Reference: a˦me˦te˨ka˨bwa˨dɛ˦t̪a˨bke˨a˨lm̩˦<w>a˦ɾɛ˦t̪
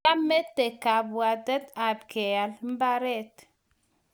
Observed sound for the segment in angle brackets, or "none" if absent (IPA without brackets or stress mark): b